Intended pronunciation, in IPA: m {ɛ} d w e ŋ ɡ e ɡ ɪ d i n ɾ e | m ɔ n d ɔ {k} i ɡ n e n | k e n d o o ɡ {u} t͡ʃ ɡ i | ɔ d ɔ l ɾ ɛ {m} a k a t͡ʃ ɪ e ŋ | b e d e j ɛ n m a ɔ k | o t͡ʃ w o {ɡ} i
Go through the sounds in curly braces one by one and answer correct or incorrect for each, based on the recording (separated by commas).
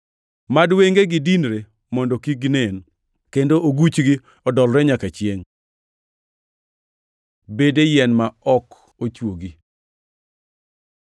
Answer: incorrect, correct, correct, incorrect, correct